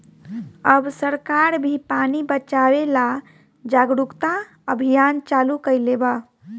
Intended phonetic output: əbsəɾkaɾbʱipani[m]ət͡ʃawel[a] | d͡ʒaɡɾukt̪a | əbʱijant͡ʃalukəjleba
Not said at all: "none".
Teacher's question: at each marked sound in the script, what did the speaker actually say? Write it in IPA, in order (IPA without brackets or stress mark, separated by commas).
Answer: b, a